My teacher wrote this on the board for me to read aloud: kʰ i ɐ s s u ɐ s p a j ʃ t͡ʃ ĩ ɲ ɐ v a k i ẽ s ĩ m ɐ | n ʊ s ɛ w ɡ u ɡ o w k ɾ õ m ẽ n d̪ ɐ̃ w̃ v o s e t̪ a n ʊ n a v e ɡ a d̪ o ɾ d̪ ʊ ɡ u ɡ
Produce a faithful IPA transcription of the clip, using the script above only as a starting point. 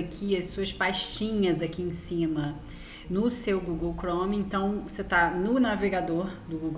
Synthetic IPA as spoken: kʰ i ɐ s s u ɐ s p a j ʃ t͡ʃ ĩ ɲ ɐ z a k i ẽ s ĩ m ɐ | n ʊ s e w ɡ u ɡ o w k ɾ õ m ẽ n t̪ ɐ̃ w̃ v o s e t̪ a n ʊ n a v e ɡ a d̪ o ɾ d̪ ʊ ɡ u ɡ